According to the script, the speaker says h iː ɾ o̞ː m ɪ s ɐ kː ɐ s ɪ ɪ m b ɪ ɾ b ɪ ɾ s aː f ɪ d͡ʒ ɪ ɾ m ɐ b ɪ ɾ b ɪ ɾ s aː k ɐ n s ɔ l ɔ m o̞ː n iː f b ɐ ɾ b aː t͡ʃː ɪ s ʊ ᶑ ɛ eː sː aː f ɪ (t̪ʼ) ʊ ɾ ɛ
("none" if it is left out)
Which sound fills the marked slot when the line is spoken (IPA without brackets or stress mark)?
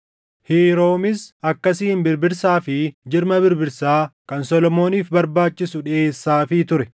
t̪